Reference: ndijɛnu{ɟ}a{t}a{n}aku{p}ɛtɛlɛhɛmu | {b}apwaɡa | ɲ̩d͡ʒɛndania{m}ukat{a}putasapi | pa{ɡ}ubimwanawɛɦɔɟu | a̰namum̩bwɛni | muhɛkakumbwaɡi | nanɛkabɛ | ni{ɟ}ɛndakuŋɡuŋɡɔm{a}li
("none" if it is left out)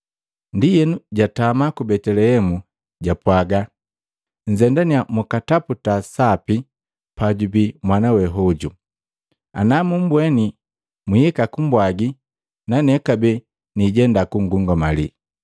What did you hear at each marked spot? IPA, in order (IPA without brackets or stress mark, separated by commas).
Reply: ɟ, t, m, b, ɟ, m, a, ɟ, ɟ, a